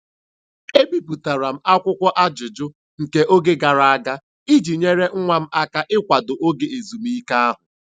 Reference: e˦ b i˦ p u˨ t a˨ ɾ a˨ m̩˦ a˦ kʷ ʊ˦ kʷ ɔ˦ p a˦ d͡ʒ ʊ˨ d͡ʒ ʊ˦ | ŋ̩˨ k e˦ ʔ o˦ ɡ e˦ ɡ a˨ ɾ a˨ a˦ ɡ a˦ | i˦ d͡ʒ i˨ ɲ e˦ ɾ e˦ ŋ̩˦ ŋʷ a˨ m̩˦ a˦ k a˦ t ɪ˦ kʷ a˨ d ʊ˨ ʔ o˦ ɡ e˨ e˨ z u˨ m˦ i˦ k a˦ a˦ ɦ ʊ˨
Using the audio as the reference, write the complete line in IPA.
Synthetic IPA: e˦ b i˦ p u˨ t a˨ ɾ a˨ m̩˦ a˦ kʷ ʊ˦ kʷ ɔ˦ ʔ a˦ d͡ʒ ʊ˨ d͡ʒ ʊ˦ | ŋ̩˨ k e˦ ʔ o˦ ɡ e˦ ɡ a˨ ɾ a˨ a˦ ɡ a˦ | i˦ d͡ʒ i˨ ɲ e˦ ɾ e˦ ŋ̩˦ ŋʷ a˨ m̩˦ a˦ k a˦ ʔ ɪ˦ kʷ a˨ d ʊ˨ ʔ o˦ ɡ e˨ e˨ z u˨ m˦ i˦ k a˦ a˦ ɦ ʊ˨